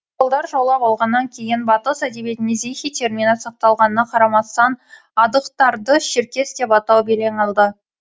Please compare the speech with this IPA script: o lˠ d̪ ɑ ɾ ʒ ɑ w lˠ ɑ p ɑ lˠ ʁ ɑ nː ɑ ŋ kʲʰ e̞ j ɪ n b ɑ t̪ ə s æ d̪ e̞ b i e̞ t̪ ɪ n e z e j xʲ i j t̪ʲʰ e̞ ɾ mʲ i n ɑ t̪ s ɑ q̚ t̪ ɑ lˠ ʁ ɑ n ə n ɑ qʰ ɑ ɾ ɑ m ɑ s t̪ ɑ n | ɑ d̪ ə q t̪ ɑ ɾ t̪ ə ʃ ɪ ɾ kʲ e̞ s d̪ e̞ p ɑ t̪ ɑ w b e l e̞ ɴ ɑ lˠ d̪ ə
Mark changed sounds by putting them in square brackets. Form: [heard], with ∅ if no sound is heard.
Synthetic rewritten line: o lˠ d̪ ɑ ɾ ʒ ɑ w lˠ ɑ p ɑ lˠ ʁ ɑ nː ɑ ŋ kʲʰ e̞ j ɪ n b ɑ t̪ ə s æ d̪ e̞ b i e̞ t̪ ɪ n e z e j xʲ i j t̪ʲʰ e̞ ɾ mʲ i n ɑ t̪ s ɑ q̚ t̪ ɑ lˠ ʁ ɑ n ə n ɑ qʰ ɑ ɾ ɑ m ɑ s t̪ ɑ n | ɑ d̪ ə q t̪ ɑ ɾ [d̪] ə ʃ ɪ ɾ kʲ e̞ s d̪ e̞ p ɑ t̪ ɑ w b e l e̞ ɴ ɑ lˠ d̪ ə